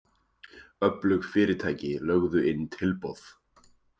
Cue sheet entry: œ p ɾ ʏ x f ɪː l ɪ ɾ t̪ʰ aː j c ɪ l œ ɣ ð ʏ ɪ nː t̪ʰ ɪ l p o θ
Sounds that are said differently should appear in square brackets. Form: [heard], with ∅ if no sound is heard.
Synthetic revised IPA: œ p [l] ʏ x f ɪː [ɾ] ɪ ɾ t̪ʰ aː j c ɪ l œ ɣ ð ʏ ɪ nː t̪ʰ ɪ l p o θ